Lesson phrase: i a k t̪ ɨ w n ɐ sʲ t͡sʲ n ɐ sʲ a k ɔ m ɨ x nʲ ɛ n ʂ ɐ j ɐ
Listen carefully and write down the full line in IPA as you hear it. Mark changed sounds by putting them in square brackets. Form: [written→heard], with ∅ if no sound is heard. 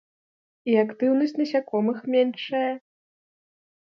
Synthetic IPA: i a k t̪ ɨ w n ɐ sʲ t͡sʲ n ɐ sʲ a k ɔ m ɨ x [nʲ→mʲ] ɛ n ʂ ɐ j ɐ